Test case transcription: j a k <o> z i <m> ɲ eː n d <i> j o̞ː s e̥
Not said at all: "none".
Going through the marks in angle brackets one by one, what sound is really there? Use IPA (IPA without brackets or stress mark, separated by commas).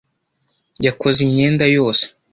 o, m, a